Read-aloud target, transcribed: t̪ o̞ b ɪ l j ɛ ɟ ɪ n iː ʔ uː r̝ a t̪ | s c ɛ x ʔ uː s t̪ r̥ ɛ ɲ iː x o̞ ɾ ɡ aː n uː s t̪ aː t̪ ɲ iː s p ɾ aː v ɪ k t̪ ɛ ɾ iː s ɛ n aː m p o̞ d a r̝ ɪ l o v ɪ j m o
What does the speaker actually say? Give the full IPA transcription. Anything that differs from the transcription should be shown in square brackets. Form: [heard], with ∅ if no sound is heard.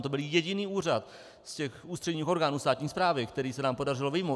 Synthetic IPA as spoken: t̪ o̞ b ɪ l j ɛ ɟ ɪ n iː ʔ uː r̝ a t̪ | s c ɛ x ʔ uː s t̪ r̥ ɛ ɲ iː x o̞ ɾ ɡ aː n uː s t̪ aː t̪ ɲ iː s p ɾ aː v ɪ k t̪ ɛ ɾ iː s ɛ n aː m p o̞ d a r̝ ɪ l o v ɪ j m o